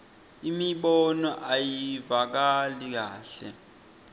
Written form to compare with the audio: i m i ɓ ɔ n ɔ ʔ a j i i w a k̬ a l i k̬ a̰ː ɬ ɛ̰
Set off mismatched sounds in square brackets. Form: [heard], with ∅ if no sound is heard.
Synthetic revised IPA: i m i ɓ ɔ n ɔ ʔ a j i i [v] a k̬ a l i k̬ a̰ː ɬ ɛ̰